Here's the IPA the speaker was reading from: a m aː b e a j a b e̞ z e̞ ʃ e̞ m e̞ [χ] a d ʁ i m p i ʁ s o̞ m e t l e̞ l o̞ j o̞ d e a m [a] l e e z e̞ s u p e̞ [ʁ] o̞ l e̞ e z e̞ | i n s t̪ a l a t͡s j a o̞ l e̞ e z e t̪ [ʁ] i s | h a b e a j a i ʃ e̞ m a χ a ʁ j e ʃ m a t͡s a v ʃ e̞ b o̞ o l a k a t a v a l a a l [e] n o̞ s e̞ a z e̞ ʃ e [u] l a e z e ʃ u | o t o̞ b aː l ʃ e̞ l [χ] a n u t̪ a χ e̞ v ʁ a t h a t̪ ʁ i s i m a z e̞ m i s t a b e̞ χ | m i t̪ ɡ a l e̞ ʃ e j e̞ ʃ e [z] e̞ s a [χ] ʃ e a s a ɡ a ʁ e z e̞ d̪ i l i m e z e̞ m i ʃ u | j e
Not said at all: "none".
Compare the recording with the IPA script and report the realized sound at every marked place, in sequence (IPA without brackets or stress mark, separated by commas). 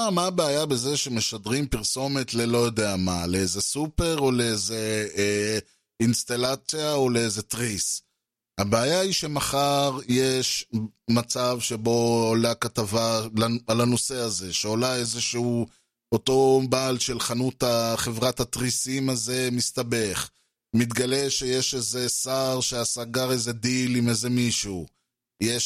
ʃ, a, ʁ, ʁ, a, o, χ, z, ʁ